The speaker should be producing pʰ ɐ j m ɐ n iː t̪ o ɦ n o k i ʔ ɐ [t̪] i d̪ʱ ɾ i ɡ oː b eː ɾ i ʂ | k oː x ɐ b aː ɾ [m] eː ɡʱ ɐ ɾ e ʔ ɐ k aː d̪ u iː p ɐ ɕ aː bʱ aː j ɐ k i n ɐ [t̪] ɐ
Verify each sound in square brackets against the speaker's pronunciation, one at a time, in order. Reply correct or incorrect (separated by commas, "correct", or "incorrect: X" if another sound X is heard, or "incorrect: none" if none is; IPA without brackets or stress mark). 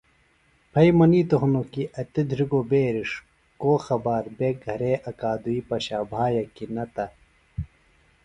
correct, incorrect: b, correct